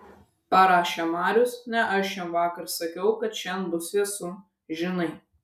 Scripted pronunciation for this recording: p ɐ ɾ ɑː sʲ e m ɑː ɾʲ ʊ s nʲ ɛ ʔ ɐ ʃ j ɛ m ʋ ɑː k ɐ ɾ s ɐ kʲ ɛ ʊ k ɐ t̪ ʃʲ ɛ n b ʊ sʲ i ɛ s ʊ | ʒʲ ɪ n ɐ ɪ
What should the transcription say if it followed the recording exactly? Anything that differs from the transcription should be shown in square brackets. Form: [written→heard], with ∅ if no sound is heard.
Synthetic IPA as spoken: p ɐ ɾ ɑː [sʲ→ʃʲ] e m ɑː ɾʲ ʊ s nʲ ɛ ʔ ɐ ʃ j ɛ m ʋ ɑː k ɐ ɾ s ɐ kʲ ɛ ʊ k ɐ t̪ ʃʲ ɛ n b ʊ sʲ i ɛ s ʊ | ʒʲ ɪ n ɐ ɪ